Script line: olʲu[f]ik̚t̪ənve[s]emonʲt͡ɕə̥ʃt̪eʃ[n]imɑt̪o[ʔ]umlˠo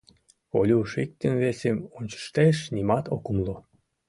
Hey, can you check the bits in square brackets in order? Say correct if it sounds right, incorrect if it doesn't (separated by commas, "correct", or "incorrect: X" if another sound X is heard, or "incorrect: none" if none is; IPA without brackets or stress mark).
incorrect: ʃ, correct, correct, incorrect: k